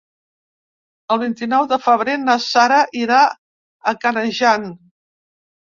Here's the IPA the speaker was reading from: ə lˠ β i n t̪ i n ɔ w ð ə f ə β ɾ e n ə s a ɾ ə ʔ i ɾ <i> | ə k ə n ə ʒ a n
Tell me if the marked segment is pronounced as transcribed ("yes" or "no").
no